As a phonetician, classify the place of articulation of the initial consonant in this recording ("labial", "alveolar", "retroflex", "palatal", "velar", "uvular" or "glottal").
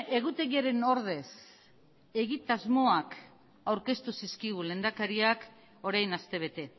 velar